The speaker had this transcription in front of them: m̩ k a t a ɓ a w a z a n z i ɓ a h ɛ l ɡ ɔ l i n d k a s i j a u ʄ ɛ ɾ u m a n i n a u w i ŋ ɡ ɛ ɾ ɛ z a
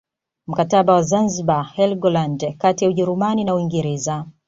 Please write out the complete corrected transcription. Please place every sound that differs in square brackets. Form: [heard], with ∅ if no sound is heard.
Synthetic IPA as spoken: m̩ k a t a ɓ a w a z a n z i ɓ a h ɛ l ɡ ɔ l [a] n d k a [t] i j a u ʄ ɛ ɾ u m a n i n a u w i ŋ ɡ ɛ ɾ ɛ z a